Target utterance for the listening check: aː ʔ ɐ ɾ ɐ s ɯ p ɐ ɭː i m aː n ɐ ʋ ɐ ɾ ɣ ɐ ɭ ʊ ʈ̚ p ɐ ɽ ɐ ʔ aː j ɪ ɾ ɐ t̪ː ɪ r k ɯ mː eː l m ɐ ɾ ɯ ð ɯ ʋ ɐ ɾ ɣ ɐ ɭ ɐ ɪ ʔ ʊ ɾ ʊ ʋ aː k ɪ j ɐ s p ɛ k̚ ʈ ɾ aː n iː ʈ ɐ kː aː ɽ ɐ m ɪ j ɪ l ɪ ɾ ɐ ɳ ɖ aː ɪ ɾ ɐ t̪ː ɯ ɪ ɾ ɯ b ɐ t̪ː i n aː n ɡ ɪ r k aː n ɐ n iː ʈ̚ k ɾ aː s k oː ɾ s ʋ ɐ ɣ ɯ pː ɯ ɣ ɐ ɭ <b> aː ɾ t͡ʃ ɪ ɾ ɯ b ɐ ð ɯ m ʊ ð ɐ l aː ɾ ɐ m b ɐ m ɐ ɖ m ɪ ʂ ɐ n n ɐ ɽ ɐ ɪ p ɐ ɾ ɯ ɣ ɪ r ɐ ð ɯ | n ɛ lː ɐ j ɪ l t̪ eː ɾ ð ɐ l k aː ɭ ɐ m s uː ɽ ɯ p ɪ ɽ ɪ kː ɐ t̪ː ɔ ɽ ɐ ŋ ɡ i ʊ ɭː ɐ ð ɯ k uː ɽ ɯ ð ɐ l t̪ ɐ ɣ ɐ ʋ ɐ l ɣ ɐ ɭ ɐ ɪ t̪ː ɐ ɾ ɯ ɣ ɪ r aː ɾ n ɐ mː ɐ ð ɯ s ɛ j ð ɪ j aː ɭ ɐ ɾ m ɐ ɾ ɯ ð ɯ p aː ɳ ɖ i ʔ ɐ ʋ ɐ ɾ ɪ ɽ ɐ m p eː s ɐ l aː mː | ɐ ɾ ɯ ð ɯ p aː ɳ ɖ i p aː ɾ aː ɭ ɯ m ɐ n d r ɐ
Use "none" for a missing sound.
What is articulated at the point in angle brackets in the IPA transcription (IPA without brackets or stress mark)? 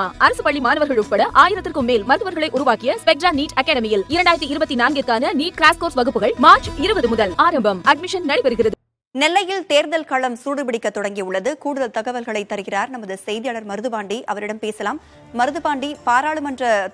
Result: m